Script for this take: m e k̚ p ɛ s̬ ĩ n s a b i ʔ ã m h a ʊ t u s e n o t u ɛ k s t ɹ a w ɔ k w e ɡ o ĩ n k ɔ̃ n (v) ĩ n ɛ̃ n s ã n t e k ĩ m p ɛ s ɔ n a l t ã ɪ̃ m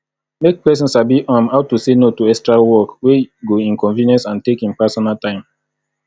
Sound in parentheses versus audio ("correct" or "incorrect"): correct